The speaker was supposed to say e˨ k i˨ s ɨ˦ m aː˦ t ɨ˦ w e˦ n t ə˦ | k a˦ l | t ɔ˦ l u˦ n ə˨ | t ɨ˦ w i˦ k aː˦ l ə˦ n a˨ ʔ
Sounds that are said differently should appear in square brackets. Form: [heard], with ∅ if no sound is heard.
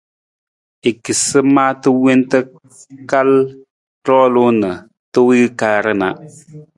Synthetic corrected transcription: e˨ k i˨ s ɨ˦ m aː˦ t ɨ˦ w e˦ n t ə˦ | k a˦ l | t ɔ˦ l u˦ n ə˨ | t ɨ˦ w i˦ k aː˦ [ɾ] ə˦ n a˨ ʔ

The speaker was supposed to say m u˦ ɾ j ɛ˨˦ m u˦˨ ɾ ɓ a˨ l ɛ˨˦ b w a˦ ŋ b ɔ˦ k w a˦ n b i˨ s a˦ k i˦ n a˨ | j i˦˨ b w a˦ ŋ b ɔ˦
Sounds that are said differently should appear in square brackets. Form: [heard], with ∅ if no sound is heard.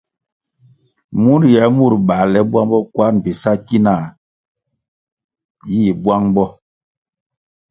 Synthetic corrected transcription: m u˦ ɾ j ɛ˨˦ m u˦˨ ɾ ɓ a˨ l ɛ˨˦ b w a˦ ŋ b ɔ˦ k w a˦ n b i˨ s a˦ k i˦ n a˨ | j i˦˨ b w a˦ ŋ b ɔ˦

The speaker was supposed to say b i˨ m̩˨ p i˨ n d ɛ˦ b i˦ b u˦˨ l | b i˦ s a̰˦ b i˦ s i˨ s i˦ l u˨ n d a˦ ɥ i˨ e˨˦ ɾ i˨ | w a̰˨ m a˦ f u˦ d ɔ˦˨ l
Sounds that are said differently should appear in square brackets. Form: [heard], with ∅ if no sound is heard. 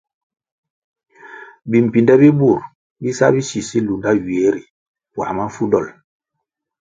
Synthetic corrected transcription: b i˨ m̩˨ p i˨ n d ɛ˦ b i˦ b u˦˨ [ɾ] | b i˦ s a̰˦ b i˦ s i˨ s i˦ l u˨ n d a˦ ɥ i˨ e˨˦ ɾ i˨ | w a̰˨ m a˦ f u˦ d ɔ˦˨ l

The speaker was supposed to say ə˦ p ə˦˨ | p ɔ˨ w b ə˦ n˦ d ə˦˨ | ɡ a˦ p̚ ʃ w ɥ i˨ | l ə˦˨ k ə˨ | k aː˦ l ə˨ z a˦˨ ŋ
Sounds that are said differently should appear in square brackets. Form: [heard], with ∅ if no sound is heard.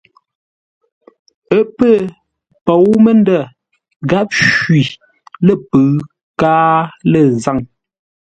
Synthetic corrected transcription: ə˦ p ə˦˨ | p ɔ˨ w [m] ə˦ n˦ d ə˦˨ | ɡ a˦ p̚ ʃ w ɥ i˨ | l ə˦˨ [p] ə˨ | k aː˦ l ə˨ z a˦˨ ŋ

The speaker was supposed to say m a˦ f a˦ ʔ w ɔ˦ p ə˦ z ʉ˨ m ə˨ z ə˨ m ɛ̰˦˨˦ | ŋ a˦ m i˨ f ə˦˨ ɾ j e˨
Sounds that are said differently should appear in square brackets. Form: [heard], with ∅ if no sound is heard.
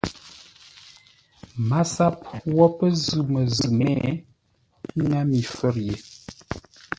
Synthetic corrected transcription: m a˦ [s] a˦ [p] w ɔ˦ p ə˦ z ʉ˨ m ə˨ z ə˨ m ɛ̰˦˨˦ | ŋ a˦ m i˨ f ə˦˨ ɾ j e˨

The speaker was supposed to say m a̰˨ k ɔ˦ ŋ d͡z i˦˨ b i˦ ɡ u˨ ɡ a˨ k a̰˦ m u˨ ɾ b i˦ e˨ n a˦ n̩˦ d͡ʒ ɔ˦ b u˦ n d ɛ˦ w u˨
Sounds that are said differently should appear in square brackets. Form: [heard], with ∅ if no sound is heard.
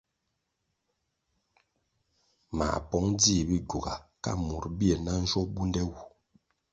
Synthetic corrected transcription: m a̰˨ [p] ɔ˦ ŋ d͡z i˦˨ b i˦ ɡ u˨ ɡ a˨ k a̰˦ m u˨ ɾ b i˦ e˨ n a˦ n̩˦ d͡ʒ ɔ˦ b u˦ n d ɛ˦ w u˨

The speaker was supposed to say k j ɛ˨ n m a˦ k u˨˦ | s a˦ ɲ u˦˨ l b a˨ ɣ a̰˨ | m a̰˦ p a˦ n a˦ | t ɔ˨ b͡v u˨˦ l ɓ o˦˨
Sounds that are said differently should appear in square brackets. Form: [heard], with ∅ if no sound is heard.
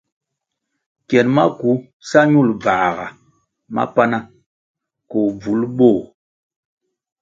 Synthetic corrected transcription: k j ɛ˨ n m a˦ k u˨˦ | s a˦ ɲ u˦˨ l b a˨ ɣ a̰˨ | m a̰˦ p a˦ n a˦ | [k] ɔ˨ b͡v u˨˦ l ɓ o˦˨

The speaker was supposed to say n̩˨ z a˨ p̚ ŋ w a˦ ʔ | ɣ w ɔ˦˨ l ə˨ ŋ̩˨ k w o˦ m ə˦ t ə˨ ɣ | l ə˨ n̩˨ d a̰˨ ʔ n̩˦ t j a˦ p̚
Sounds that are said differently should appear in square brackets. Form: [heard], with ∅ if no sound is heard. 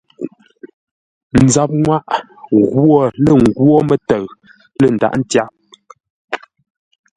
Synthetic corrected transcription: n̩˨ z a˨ p̚ ŋ w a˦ ʔ | ɣ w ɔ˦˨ l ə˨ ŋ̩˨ [ɡ] w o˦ m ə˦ t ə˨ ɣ | l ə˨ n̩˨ d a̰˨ ʔ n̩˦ t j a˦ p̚

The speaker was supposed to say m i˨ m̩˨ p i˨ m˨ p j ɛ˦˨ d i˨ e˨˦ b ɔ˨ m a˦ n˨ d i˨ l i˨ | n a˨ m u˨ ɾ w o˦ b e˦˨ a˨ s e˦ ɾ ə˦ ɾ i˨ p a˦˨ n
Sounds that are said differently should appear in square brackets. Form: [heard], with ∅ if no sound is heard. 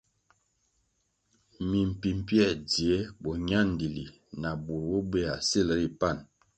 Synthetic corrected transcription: m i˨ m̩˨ p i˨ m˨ p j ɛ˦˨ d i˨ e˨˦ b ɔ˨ [ɲ] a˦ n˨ d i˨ l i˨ | n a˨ [b] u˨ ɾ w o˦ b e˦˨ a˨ s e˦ [l] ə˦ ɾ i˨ p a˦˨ n

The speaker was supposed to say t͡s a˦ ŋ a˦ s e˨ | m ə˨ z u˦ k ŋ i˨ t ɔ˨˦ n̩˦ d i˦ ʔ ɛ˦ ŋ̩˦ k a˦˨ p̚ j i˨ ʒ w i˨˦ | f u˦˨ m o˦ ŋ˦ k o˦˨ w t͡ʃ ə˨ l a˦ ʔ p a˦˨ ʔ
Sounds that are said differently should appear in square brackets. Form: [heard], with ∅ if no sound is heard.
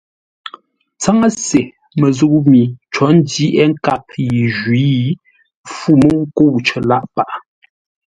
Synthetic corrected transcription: t͡s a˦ ŋ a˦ s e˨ | m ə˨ z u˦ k [m] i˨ [t͡ʃ] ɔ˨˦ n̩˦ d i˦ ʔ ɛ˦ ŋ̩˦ k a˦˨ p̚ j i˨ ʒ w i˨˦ | f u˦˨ m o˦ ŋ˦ k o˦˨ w t͡ʃ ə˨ l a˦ ʔ p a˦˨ ʔ

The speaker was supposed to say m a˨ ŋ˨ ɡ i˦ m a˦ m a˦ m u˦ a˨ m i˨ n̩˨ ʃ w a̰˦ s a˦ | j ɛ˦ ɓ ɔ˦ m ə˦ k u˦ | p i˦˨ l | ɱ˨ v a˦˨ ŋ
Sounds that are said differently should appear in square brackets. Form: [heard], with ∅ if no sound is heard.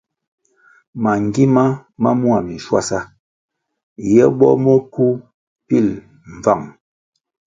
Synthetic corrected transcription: m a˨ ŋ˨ ɡ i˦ m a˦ m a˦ m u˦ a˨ m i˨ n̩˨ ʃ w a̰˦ s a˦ | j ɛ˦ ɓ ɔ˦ m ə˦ k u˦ | p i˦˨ l | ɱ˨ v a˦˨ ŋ

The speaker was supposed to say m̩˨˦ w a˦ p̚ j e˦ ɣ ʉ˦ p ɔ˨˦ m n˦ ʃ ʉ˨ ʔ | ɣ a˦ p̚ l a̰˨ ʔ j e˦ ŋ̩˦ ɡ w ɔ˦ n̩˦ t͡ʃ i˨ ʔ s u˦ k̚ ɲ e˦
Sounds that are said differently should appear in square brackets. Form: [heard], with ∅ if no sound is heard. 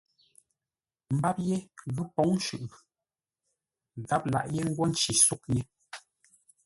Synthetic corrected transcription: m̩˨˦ [b] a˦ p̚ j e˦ ɣ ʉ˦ p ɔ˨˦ [ŋ] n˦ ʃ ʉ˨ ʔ | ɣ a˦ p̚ l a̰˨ ʔ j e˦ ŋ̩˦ ɡ w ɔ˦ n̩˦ t͡ʃ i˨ [∅] s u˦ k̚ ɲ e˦

